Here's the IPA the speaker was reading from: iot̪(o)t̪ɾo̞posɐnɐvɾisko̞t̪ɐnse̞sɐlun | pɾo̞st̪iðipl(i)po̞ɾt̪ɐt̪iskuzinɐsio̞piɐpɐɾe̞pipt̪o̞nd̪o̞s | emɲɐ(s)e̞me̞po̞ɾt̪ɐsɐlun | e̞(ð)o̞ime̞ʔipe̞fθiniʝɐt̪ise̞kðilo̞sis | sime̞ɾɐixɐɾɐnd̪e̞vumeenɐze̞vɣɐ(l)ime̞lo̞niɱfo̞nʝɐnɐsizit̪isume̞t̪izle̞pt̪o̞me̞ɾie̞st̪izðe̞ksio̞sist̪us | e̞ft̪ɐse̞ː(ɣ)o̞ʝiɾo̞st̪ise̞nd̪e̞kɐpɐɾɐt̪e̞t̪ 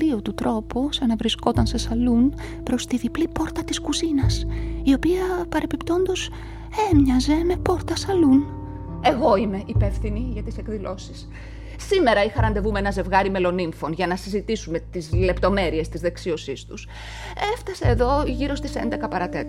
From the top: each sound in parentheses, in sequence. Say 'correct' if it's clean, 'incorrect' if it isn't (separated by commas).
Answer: incorrect, correct, incorrect, incorrect, incorrect, incorrect